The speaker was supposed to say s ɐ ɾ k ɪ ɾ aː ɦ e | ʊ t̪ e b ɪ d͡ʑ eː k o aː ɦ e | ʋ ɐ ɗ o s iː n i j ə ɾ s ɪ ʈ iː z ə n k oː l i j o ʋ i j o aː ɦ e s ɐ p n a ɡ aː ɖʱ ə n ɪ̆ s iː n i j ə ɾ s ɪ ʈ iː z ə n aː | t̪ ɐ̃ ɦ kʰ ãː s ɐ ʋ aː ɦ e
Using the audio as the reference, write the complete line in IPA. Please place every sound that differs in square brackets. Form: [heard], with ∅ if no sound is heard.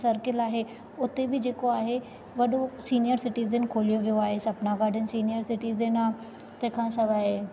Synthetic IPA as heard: s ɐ ɾ k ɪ [l] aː ɦ e | ʊ t̪ e b ɪ d͡ʑ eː k o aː ɦ e | ʋ ɐ ɗ o s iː n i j ə ɾ s ɪ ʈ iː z ə n [kʰ] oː l i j o ʋ i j o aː ɦ e s ɐ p n a ɡ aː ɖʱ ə n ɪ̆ s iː n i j ə ɾ s ɪ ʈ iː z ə n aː | t̪ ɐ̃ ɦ kʰ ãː s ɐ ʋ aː ɦ e